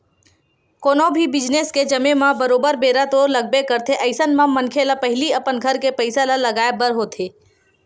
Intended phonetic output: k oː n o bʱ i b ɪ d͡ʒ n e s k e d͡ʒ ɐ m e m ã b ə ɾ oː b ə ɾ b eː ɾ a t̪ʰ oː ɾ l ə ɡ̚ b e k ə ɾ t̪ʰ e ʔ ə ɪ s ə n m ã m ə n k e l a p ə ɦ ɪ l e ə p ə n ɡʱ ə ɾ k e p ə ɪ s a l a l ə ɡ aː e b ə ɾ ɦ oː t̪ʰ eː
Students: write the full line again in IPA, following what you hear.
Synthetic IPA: k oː n o bʱ i b ɪ d͡ʒ n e s k e d͡ʒ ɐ m e m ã b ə ɾ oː b ə ɾ b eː ɾ a t̪ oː ɾ l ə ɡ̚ b e k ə ɾ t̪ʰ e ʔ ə ɪ s ə n m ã m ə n kʰ e l a p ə ɦ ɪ l i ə p ə n ɡʱ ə ɾ k e p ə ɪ s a l a l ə ɡ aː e b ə ɾ ɦ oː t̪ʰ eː